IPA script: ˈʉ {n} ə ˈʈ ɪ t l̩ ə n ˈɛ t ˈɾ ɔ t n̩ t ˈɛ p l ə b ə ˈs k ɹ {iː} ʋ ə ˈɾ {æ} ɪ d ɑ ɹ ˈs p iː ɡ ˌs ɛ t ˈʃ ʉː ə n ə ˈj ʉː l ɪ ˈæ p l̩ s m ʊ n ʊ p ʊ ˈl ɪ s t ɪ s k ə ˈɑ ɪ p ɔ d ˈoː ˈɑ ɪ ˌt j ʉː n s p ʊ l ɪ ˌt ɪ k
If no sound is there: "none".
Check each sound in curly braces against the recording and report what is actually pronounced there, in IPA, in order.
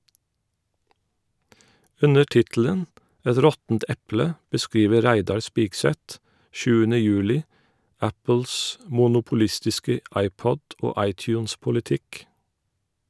n, iː, æ

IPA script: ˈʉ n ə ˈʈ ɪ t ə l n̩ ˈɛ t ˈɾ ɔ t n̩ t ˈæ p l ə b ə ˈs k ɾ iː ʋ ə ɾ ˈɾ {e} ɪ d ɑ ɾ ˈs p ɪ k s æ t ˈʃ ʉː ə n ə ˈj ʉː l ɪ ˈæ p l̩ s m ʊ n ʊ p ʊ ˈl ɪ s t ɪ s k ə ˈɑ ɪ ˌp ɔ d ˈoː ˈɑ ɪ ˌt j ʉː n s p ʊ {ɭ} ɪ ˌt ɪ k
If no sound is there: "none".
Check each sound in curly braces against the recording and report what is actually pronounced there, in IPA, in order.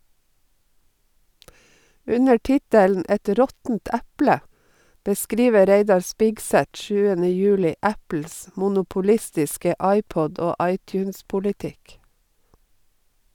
e, l

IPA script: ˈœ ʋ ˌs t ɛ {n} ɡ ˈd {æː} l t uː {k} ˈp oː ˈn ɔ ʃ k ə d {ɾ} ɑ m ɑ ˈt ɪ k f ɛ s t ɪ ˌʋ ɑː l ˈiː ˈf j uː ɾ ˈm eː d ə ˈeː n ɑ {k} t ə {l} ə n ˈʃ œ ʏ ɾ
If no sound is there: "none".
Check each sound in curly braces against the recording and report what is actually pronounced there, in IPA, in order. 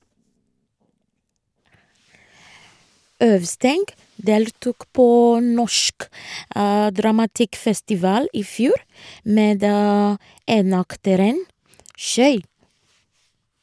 ŋ, eː, k, ɾ, k, ɾ

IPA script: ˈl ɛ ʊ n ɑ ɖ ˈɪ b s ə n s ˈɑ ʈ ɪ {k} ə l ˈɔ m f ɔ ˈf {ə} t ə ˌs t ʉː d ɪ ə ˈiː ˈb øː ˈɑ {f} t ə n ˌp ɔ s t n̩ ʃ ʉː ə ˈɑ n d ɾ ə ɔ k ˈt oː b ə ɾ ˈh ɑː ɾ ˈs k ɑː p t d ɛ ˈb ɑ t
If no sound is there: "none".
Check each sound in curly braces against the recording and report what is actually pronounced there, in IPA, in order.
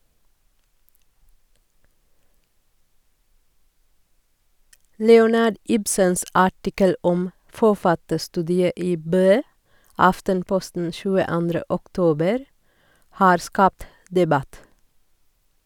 k, ɑ, f

